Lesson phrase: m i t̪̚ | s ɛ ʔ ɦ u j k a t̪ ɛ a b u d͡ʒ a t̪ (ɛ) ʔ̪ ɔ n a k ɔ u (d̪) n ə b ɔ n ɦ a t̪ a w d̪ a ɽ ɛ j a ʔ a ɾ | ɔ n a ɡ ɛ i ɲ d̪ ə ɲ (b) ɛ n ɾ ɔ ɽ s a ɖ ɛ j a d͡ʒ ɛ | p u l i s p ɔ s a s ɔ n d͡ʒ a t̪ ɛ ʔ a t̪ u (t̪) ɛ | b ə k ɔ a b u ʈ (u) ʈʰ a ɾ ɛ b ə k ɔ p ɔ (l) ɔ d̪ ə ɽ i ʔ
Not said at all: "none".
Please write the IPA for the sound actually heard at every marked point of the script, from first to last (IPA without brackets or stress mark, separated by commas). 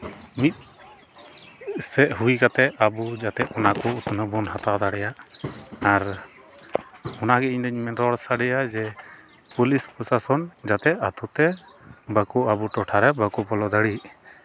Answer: ɛ, t̪, m, t̪, ɔ, l